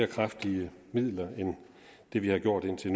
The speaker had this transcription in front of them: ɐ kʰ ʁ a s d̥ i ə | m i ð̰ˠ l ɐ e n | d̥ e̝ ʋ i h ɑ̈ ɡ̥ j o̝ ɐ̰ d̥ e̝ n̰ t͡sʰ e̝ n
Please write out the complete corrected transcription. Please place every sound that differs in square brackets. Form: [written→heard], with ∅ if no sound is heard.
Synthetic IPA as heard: ɐ kʰ ʁ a [s→f] d̥ i ə | m i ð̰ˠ l ɐ e n | d̥ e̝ ʋ i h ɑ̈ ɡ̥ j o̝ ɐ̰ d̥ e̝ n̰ t͡sʰ e̝ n